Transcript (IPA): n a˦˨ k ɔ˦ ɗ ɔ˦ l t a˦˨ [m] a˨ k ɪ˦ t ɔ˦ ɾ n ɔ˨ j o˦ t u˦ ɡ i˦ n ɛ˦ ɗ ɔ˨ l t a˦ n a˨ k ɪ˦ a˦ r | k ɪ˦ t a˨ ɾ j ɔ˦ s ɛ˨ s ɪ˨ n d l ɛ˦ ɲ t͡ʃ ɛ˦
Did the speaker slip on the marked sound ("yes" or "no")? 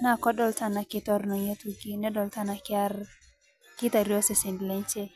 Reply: yes